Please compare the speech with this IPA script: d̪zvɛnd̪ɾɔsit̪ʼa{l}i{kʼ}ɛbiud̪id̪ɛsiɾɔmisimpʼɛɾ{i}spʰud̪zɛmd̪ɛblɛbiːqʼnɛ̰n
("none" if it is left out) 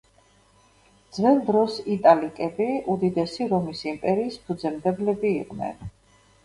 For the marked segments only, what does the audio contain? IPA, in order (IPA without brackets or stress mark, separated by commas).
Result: l, kʼ, iː